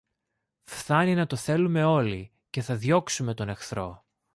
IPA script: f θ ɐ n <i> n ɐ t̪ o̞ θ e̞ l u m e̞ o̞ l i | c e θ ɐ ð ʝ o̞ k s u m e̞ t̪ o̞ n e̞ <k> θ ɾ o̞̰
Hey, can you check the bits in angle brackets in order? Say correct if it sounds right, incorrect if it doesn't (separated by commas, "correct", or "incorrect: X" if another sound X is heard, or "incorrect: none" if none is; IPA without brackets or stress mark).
correct, incorrect: x